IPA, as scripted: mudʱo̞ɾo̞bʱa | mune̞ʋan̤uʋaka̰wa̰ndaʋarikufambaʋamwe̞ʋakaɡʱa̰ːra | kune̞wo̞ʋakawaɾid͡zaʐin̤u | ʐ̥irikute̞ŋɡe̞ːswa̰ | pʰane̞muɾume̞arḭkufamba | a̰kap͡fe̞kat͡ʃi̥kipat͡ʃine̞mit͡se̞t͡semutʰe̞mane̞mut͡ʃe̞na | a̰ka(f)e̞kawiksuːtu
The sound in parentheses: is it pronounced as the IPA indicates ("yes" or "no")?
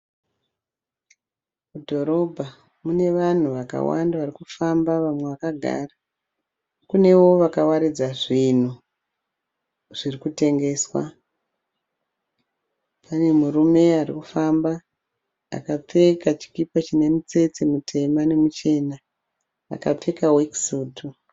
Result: no